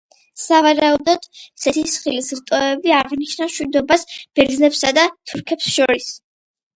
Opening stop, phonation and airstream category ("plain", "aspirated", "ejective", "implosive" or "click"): plain